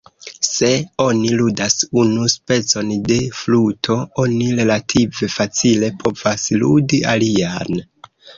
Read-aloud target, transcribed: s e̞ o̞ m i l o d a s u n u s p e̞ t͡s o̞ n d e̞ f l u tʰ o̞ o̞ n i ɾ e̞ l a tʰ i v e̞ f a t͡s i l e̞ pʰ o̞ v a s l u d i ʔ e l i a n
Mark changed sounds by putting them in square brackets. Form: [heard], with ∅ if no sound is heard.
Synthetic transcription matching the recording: s e̞ o̞ [n] i l [u] d a s u n u s p e̞ t͡s o̞ n d e̞ f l u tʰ o̞ o̞ n i ɾ e̞ l a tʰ i v e̞ f a t͡s i l e̞ pʰ o̞ v a s l u d i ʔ [a] l i a n